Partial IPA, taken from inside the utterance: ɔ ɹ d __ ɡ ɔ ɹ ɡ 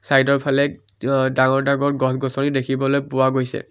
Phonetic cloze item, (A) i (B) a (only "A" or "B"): B